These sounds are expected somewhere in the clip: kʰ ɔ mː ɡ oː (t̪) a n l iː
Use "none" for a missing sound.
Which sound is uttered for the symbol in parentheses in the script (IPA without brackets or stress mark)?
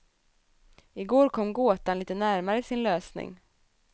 t̪